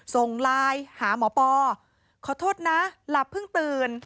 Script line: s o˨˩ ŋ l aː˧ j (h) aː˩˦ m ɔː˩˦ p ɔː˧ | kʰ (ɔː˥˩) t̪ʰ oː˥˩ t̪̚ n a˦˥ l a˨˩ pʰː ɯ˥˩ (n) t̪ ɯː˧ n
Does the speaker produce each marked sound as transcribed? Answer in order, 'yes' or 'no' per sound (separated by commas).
yes, no, no